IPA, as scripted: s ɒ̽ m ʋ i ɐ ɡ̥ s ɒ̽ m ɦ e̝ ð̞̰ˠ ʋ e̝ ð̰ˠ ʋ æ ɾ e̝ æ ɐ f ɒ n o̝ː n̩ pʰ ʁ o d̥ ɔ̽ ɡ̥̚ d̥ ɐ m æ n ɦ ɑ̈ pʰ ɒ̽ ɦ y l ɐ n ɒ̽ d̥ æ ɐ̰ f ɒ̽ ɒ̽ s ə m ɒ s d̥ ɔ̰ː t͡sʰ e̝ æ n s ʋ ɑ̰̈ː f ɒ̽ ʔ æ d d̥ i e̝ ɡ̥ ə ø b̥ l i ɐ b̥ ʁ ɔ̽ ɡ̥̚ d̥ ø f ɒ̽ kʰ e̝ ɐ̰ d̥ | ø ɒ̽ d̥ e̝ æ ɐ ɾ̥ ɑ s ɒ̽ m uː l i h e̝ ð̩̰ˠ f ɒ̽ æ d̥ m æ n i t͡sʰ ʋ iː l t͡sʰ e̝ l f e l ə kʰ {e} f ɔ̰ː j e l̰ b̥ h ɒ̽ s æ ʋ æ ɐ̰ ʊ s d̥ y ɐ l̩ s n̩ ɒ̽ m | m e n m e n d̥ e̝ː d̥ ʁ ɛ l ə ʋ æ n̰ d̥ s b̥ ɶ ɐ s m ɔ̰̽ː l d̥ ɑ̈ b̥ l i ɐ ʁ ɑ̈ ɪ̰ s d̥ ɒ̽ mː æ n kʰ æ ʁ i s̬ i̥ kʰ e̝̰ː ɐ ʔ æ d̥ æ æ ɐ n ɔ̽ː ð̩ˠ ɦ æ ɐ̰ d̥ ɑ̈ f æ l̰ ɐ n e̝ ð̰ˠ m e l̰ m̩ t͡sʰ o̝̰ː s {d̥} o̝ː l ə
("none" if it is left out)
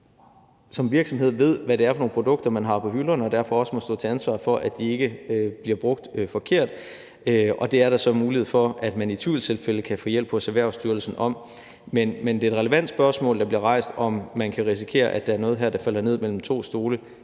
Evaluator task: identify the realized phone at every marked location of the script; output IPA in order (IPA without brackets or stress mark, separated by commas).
æ, d̥